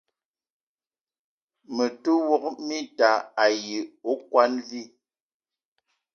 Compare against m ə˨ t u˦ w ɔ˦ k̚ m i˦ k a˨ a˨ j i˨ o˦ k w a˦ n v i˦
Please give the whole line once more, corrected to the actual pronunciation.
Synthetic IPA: m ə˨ t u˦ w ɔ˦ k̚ m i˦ t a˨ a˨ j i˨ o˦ k w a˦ n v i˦